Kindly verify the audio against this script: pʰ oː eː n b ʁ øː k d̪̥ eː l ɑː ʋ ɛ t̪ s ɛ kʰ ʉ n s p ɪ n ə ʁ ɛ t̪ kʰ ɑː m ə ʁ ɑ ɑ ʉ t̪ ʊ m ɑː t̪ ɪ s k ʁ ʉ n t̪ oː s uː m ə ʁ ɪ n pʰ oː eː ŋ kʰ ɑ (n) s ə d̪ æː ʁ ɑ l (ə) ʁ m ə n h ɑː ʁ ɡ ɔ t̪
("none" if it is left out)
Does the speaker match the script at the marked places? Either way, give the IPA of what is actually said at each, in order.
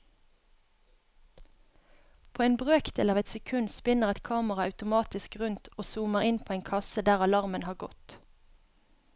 none, ɑ

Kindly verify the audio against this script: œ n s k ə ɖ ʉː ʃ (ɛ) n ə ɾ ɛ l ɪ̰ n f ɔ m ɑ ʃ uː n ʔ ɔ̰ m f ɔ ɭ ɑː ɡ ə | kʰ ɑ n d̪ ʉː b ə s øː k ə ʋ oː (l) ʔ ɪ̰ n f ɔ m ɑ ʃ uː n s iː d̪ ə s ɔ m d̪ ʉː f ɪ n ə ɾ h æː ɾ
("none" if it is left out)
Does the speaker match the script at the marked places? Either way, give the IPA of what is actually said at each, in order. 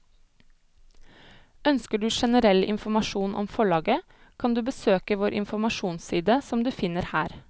ɛ, ɾ

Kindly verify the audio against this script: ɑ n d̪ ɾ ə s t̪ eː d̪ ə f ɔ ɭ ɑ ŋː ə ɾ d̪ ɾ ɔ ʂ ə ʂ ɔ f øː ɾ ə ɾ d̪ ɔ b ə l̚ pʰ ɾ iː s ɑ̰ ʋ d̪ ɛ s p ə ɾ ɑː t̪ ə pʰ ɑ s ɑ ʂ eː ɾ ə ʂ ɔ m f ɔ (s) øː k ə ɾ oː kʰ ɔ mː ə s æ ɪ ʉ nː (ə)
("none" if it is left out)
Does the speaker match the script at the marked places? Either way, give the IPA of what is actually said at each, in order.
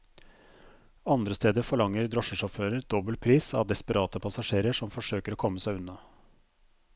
ʂ, ɑ

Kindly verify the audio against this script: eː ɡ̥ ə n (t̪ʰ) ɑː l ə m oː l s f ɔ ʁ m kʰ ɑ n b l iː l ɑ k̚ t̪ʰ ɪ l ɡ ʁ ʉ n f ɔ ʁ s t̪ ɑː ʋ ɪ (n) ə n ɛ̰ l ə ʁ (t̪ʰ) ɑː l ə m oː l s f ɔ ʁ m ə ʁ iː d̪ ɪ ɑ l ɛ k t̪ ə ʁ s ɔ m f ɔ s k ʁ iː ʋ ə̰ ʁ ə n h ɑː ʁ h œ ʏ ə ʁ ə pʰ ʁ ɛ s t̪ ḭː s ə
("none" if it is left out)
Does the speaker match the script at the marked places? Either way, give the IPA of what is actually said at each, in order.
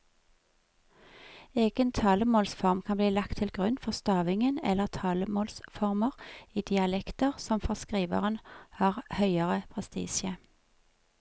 t̪ʰ, ŋ, t̪ʰ

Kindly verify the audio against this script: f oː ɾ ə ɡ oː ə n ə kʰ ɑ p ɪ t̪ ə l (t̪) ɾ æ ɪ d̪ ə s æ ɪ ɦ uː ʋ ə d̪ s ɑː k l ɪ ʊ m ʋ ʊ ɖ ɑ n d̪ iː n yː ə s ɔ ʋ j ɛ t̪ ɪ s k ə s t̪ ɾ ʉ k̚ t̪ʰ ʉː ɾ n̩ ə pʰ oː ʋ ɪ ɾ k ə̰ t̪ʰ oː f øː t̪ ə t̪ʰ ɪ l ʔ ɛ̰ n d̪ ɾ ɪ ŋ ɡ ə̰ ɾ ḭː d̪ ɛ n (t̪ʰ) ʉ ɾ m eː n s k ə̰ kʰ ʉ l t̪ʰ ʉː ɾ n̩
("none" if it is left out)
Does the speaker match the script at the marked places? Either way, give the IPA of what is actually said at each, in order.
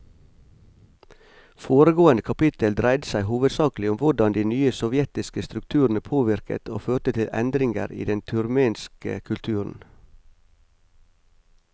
d̪, t̪ʰ

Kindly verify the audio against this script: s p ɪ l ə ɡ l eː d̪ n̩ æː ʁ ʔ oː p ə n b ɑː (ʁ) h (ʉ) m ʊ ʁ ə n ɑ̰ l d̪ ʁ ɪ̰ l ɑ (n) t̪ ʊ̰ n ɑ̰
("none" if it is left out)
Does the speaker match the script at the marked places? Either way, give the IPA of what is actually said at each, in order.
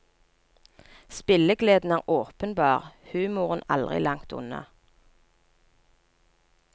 ʁ, ʉː, ŋ

